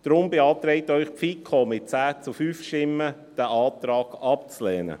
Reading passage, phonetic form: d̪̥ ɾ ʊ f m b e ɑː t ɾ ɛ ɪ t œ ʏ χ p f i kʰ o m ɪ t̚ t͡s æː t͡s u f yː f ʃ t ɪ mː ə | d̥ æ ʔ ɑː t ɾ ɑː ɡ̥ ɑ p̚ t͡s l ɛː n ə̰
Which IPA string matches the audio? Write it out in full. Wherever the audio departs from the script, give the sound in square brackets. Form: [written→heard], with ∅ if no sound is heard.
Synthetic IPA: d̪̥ ɾ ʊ [f→∅] m b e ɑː t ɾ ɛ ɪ t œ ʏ χ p f i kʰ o m ɪ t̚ t͡s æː t͡s u f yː f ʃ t ɪ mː ə | d̥ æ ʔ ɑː t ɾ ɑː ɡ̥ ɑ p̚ t͡s l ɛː n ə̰